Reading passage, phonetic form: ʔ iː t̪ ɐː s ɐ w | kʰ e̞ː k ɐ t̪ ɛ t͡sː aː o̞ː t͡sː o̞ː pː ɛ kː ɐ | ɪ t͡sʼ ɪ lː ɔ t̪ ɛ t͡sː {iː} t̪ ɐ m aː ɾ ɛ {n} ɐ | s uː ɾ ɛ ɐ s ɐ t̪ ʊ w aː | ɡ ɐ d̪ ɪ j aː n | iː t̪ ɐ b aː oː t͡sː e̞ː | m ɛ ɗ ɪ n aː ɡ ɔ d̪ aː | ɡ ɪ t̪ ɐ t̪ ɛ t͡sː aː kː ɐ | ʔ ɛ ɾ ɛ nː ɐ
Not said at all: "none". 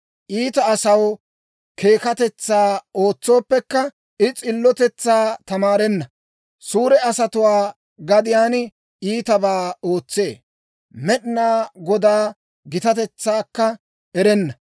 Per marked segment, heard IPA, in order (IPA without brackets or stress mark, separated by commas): aː, nː